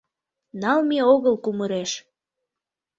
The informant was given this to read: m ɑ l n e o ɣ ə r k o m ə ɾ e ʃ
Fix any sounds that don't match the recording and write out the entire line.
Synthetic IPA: n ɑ l m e o ɣ ə l k u m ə ɾ e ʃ